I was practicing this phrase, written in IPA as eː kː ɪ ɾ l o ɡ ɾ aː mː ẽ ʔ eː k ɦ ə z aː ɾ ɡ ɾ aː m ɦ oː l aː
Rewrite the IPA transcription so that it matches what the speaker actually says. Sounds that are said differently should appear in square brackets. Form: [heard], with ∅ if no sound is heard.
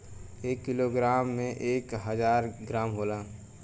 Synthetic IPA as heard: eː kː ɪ [∅] l o ɡ ɾ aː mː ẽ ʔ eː k ɦ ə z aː ɾ ɡ ɾ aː m ɦ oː l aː